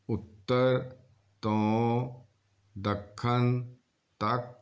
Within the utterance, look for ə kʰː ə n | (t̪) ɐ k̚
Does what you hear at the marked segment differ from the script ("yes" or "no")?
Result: no